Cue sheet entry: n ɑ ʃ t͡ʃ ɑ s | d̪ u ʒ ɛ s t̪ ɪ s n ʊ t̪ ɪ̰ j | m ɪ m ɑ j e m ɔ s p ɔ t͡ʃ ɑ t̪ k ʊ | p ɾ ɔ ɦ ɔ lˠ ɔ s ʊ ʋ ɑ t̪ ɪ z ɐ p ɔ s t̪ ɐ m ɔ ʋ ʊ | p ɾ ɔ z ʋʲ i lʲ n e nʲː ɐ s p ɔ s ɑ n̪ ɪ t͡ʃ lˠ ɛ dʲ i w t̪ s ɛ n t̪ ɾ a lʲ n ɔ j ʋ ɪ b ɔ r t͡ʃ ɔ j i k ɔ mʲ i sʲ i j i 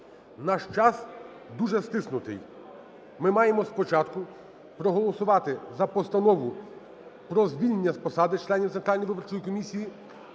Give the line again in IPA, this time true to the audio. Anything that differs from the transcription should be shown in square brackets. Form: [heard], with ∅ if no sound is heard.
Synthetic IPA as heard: n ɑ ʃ t͡ʃ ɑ s | d̪ u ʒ ɛ s t̪ ɪ s n ʊ t̪ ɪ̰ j | m ɪ m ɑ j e m ɔ s p ɔ t͡ʃ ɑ t̪ k ʊ | p ɾ ɔ ɦ ɔ lˠ ɔ s ʊ ʋ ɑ t̪ ɪ z ɐ p ɔ s t̪ ɐ [n] ɔ ʋ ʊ | p ɾ ɔ z ʋʲ i lʲ n e nʲː ɐ s p ɔ s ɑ [d̪] ɪ t͡ʃ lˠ ɛ [nʲ] i w t̪ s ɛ n t̪ ɾ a lʲ n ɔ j ʋ ɪ b ɔ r t͡ʃ ɔ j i k ɔ mʲ i sʲ i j i

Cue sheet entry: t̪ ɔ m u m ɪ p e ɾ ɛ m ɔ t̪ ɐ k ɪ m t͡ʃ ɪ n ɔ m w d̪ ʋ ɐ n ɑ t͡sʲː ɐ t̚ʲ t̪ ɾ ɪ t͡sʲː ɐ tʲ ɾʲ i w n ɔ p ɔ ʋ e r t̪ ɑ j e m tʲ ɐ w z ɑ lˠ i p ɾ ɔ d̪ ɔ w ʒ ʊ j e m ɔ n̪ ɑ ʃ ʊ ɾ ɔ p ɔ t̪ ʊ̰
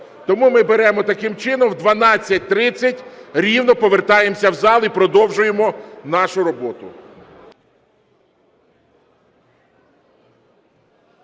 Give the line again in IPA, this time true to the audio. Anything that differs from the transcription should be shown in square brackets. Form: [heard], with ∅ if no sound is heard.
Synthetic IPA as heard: t̪ ɔ m u m ɪ [b] e ɾ ɛ m ɔ t̪ ɐ k ɪ m t͡ʃ ɪ n ɔ m w d̪ ʋ ɐ n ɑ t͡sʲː ɐ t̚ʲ t̪ ɾ ɪ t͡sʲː ɐ tʲ ɾʲ i w n ɔ p ɔ ʋ e r t̪ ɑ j e m [sʲ] ɐ w z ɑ lˠ i p ɾ ɔ d̪ ɔ w ʒ ʊ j e m ɔ n̪ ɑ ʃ ʊ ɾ ɔ [b] ɔ t̪ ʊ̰

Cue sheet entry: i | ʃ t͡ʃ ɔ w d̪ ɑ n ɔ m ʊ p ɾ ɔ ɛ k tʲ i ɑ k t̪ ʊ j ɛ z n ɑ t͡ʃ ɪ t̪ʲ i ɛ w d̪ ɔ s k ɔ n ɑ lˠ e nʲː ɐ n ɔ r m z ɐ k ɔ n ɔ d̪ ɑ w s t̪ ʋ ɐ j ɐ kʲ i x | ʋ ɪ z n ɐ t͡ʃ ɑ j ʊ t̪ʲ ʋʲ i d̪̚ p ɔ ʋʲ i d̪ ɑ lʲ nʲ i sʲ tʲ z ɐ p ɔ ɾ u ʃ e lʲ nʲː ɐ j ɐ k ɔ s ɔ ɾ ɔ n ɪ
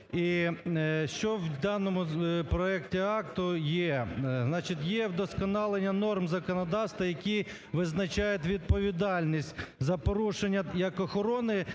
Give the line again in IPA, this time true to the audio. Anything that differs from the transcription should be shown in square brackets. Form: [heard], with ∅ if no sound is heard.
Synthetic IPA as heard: i | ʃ t͡ʃ ɔ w d̪ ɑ n ɔ m ʊ p ɾ ɔ ɛ k tʲ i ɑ k t̪ ʊ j ɛ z n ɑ t͡ʃ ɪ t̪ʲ [j] ɛ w d̪ ɔ s k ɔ n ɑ lˠ e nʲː ɐ n ɔ r m z ɐ k ɔ n ɔ d̪ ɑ w s t̪ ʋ ɐ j ɐ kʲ i [∅] | ʋ ɪ z n ɐ t͡ʃ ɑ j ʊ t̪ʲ ʋʲ i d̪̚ p ɔ ʋʲ i d̪ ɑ lʲ nʲ i sʲ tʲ z ɐ p ɔ ɾ u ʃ e [∅] nʲː ɐ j ɐ k ɔ [x] ɔ ɾ ɔ n ɪ

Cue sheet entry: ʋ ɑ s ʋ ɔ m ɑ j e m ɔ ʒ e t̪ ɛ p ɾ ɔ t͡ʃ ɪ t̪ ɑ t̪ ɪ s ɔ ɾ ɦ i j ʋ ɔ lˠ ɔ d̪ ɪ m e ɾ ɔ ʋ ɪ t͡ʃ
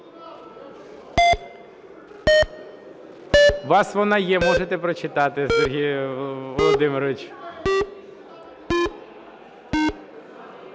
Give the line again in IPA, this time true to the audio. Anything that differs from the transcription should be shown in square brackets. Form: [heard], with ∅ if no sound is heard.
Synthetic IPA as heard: ʋ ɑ s ʋ ɔ [n] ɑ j [ɛ] m ɔ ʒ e t̪ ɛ p ɾ ɔ t͡ʃ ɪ t̪ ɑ t̪ ɪ s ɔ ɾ ɦ i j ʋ ɔ lˠ ɔ d̪ ɪ m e ɾ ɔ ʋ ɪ t͡ʃ

